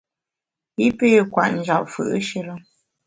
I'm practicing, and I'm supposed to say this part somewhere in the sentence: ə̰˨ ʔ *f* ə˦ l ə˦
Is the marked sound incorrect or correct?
incorrect: ʃ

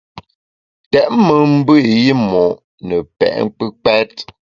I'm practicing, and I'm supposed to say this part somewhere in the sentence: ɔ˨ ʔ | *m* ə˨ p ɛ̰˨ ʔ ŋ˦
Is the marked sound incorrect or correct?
incorrect: n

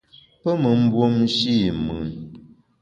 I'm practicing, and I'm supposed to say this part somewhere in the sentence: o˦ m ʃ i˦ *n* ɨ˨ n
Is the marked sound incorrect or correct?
incorrect: m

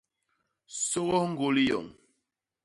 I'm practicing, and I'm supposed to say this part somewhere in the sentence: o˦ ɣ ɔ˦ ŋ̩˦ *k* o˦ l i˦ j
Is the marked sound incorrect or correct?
incorrect: ɡ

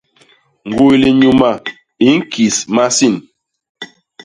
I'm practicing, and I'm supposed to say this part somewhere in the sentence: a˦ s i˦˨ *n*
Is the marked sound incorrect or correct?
correct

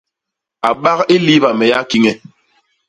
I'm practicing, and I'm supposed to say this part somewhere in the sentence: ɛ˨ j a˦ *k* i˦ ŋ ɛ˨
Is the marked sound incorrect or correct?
correct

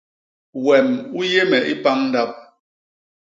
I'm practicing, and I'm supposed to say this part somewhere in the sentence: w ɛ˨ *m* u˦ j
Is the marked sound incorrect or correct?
correct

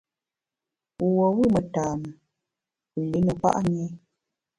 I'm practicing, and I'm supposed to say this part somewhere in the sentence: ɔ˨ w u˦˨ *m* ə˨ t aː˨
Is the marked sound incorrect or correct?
correct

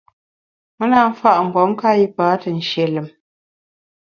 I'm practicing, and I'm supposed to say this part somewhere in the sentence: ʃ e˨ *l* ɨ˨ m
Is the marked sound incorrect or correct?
correct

